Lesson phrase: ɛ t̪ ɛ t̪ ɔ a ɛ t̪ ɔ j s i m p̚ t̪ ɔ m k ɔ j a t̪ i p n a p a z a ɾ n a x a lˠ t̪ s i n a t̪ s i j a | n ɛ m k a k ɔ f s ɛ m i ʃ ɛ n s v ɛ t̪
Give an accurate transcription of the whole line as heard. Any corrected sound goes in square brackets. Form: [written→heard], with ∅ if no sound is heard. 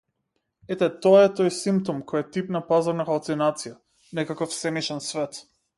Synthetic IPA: ɛ t̪ ɛ t̪ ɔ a ɛ t̪ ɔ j s i m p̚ t̪ ɔ m k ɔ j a t̪ i p n a p a z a ɾ n a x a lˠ t̪ s i n a t̪ s i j a | n ɛ [m→∅] k a k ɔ f s ɛ m i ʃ ɛ n s v ɛ t̪